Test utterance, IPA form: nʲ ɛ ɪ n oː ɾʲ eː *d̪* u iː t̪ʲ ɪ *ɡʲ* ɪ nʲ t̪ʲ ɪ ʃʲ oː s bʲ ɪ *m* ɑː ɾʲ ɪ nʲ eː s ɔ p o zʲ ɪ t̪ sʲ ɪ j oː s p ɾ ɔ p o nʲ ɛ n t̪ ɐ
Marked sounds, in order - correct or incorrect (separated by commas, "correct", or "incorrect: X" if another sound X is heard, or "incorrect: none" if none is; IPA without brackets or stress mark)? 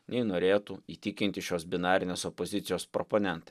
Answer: incorrect: t̪, incorrect: kʲ, incorrect: n